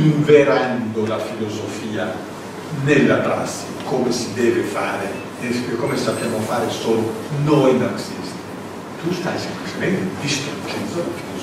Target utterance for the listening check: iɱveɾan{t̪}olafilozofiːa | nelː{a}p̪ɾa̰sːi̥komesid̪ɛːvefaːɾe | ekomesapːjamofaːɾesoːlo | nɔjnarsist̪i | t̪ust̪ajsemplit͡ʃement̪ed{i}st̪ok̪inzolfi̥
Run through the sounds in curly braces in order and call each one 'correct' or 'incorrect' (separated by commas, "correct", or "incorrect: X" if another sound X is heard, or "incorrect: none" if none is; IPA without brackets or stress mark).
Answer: incorrect: d̪, correct, correct